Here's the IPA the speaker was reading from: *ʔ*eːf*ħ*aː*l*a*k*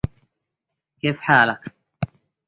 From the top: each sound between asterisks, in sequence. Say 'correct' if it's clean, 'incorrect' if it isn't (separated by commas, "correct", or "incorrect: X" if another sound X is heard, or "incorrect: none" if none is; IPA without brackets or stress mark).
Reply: incorrect: k, correct, correct, correct